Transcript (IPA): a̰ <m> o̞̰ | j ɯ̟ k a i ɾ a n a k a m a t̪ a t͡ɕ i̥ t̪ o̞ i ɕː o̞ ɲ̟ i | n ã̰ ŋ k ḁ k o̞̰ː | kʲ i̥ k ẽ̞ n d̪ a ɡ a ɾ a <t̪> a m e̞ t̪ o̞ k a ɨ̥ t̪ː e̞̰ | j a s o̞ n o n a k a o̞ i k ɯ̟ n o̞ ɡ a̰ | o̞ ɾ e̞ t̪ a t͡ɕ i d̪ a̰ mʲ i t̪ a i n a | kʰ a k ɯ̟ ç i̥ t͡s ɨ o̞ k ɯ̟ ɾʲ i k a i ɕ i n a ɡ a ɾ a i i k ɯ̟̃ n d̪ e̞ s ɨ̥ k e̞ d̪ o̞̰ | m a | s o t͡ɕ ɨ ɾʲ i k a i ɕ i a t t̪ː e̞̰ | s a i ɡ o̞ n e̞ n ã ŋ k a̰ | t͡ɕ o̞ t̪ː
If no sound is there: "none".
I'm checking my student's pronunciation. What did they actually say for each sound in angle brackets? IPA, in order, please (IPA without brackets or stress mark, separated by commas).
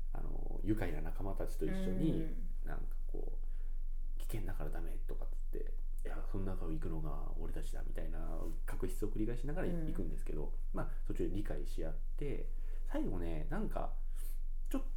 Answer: n, d̪